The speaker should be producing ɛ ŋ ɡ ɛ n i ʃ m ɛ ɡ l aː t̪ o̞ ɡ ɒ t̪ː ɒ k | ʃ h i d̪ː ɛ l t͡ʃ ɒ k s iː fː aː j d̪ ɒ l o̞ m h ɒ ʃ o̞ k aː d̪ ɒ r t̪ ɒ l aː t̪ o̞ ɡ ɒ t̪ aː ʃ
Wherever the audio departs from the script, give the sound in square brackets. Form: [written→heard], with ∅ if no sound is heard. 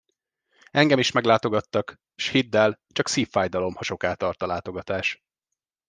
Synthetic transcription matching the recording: ɛ ŋ ɡ ɛ [n→m] i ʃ m ɛ ɡ l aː t̪ o̞ ɡ ɒ t̪ː ɒ k | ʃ h i d̪ː ɛ l t͡ʃ ɒ k s iː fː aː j d̪ ɒ l o̞ m h ɒ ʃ o̞ k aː [d̪→t̪] ɒ r t̪ ɒ l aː t̪ o̞ ɡ ɒ t̪ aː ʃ